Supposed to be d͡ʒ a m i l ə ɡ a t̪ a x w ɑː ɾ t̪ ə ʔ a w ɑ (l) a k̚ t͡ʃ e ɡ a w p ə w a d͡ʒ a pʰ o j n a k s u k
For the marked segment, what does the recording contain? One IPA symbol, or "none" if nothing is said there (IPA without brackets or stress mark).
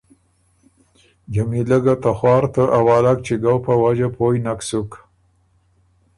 l